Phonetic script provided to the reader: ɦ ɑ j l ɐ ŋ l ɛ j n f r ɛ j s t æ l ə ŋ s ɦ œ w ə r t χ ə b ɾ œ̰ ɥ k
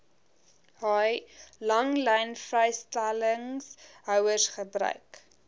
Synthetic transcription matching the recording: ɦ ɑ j l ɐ ŋ l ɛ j n f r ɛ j s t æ l ə ŋ s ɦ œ w ə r s χ ə b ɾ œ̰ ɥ k